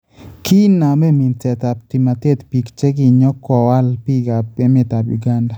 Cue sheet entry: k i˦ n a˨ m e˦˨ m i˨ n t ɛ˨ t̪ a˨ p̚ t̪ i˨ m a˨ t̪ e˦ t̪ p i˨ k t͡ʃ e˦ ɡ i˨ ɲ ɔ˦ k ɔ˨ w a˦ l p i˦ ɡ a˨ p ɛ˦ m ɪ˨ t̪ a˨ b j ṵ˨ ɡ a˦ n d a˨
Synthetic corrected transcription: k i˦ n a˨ m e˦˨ m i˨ n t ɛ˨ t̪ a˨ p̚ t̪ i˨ m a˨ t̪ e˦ t̪ p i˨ k t͡ʃ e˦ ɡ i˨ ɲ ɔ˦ k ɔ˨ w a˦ l p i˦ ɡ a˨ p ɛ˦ m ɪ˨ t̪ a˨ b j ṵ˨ ɡ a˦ n d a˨

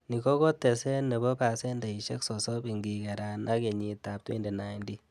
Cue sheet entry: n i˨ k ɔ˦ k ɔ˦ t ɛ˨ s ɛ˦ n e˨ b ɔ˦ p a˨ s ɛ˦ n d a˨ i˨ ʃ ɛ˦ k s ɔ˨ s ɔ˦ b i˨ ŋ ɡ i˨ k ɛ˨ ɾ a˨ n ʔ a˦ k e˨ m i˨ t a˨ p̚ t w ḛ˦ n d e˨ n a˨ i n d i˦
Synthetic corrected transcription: n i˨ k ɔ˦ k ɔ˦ t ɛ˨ s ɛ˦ n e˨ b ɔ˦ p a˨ s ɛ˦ n d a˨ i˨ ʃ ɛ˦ k s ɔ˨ s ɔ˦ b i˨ ŋ ɡ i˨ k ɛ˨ ɾ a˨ n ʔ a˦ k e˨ ɲ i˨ t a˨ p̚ t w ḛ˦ n d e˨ n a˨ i n d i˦

